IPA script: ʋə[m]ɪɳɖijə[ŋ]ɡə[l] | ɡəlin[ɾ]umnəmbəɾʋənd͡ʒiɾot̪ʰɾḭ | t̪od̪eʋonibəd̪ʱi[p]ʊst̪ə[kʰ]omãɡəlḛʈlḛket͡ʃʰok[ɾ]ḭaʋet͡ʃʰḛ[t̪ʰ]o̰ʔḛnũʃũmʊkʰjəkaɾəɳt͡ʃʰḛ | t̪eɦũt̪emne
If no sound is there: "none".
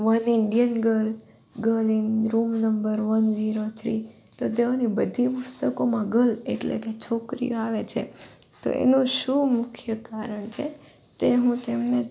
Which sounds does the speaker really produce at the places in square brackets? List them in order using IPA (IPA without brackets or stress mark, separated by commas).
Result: n, n, l, ɾ, p, k, ɾ, t̪